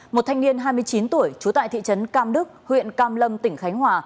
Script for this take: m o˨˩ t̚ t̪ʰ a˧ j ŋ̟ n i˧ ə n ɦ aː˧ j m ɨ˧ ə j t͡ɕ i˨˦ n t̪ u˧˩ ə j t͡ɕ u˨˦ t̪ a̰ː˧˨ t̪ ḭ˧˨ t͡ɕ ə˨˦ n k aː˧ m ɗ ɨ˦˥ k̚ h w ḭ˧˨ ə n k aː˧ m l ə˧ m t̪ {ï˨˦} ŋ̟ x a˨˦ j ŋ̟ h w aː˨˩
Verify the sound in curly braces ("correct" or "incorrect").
incorrect